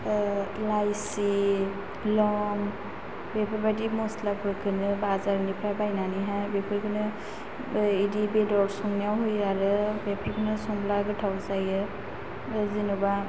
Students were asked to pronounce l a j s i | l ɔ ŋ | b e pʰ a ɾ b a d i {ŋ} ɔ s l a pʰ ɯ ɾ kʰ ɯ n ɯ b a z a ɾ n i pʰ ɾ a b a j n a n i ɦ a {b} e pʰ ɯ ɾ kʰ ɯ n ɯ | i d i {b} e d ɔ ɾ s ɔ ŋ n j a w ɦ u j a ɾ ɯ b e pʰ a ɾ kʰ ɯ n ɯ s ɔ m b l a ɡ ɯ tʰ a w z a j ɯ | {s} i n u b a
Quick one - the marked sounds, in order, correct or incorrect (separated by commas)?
incorrect, correct, correct, incorrect